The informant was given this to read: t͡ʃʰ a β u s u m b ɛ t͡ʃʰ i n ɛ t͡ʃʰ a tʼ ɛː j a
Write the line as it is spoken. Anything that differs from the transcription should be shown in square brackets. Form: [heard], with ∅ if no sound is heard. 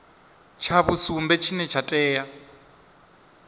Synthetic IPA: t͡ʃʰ a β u s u m b ɛ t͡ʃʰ i n ɛ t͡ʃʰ a tʼ ɛː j a